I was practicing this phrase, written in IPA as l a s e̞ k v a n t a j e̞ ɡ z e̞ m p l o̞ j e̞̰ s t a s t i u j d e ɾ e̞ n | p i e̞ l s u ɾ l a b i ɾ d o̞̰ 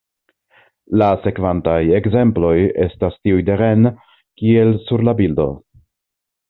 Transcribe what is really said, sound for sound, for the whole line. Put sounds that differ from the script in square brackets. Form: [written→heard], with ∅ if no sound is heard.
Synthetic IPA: l a s e̞ k v a n t a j e̞ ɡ z e̞ m p l o̞ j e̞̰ s t a s t i u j d e ɾ e̞ n | [p→k] i e̞ l s u ɾ l a b i [ɾ→l] d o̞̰